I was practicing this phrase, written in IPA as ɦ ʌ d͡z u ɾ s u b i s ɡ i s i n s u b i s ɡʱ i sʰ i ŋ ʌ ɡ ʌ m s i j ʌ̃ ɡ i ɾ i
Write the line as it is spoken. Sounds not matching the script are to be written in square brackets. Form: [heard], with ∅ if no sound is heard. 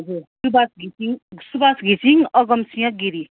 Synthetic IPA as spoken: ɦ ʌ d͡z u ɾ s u b [a] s ɡ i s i [ŋ] s u b [a] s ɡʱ i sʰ i ŋ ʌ ɡ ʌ m s i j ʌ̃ ɡ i ɾ i